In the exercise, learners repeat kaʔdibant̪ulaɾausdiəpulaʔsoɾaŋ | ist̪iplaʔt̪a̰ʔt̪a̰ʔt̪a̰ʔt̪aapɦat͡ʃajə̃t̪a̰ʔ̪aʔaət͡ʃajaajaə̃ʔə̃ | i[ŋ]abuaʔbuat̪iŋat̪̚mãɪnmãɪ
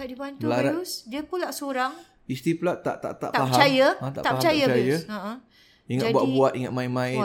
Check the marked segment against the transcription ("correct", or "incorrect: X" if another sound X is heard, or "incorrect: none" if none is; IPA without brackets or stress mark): correct